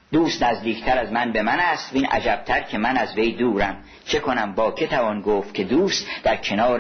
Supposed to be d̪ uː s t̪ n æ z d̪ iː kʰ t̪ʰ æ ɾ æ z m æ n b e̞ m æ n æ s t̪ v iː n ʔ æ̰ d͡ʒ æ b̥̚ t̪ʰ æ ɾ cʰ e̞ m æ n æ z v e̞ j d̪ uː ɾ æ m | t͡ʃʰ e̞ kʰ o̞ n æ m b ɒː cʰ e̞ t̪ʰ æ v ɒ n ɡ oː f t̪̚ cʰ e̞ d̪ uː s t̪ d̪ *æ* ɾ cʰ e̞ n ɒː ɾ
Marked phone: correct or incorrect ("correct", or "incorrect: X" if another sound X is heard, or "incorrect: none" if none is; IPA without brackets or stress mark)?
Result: correct